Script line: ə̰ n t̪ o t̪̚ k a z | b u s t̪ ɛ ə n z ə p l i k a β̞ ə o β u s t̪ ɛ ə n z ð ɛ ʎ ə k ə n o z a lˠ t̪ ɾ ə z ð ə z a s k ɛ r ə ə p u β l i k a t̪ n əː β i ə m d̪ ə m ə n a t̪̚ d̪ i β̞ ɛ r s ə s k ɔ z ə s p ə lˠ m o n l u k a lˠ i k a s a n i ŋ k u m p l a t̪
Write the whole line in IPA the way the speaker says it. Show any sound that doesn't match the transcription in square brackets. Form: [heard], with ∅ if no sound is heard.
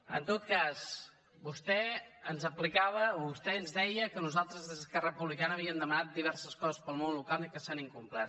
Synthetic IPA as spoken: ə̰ n t̪ o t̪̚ k a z | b u s t̪ ɛ ə n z ə p l i k a β̞ ə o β u s t̪ ɛ ə n z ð ɛ [j] ə k ə n [u] z a lˠ t̪ ɾ ə z ð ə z [ə] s k ɛ r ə ə p u β l i k a [∅] n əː β i ə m d̪ ə m ə n a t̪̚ d̪ i β̞ ɛ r s ə s k ɔ z ə s p ə lˠ m o n l u k a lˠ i k [ə] s a n i ŋ k u m p l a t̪